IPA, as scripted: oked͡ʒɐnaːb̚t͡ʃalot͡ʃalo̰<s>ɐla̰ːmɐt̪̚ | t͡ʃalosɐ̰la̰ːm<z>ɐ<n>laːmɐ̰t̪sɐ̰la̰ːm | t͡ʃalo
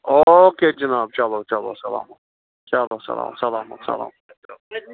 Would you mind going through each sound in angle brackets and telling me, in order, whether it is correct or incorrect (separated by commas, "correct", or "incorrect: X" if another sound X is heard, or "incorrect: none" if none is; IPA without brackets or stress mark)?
correct, incorrect: s, incorrect: none